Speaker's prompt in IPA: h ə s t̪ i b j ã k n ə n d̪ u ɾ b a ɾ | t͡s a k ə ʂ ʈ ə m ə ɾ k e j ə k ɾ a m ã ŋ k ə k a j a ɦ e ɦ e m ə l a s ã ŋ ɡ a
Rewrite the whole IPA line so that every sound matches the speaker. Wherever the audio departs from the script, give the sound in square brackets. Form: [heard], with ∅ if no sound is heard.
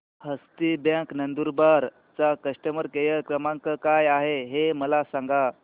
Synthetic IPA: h ə s t̪ i b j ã k n ə n d̪ u ɾ b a ɾ | t͡s a k ə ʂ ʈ ə m ə ɾ k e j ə k ɾ [ə] m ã ŋ k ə k a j a ɦ e ɦ e m ə l a s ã ŋ ɡ a